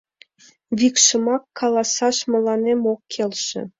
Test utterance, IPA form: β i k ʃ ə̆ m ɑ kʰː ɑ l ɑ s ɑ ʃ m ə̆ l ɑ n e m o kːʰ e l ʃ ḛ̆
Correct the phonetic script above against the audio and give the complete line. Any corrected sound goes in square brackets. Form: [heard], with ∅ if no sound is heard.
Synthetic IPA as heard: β i k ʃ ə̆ m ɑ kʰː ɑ l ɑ s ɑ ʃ m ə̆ l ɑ n e m o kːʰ e l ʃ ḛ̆